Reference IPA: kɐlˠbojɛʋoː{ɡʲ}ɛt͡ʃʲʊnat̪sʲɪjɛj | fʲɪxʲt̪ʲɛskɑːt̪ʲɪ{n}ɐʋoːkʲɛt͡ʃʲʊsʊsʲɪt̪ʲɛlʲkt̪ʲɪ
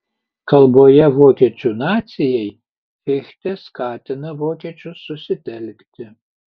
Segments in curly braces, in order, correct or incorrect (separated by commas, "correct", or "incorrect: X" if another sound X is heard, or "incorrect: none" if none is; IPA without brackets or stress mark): incorrect: kʲ, correct